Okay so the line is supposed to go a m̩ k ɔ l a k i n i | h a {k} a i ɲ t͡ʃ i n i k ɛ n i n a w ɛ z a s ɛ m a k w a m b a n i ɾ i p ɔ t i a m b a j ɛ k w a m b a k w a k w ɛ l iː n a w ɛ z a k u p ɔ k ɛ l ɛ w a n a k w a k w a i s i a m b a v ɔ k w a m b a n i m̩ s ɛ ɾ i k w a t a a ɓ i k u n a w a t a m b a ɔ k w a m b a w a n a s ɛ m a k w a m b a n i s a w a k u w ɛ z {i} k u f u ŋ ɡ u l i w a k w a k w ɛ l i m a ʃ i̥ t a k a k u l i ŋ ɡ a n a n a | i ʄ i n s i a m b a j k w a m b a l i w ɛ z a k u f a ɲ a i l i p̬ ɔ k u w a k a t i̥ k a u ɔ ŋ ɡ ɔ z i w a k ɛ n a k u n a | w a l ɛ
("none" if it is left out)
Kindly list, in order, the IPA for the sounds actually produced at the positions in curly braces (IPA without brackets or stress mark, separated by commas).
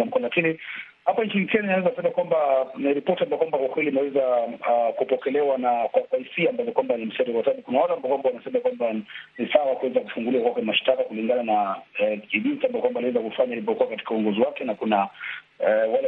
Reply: p, a